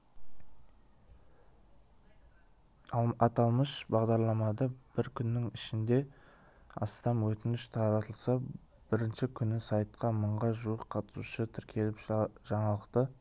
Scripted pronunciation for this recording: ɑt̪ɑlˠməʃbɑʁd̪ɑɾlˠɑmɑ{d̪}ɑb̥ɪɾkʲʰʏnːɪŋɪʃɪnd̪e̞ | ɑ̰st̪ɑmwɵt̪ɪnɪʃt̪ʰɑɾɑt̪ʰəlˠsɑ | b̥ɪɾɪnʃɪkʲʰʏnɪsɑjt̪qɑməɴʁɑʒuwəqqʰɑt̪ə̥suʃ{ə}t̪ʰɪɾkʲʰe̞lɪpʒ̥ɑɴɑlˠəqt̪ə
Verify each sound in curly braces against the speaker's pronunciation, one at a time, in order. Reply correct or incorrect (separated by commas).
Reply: correct, correct